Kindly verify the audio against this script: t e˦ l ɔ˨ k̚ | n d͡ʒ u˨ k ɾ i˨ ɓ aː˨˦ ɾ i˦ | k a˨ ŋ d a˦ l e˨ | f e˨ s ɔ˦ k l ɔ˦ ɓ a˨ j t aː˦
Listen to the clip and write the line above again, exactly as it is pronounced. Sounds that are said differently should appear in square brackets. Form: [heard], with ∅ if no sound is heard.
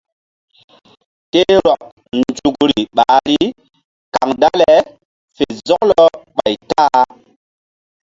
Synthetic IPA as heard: t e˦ [ɾ] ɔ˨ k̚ | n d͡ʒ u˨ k ɾ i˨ ɓ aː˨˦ ɾ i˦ | k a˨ ŋ d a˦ l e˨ | f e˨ [z] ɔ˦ k l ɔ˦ ɓ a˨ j t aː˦